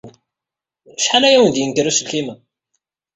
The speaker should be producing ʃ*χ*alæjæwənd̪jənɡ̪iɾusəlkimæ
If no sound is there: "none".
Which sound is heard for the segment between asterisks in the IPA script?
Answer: ħ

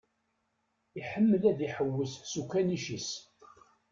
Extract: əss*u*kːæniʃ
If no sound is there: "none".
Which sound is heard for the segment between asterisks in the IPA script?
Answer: u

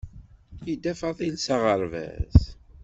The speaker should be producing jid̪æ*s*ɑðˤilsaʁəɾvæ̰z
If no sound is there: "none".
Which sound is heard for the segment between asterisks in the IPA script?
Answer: f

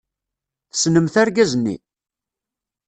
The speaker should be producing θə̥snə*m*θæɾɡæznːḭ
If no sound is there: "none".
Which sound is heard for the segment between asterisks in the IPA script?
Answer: m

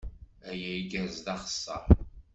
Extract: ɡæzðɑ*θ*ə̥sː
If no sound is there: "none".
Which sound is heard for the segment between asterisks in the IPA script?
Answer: χ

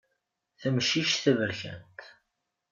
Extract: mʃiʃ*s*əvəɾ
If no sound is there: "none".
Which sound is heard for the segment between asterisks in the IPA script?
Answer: θ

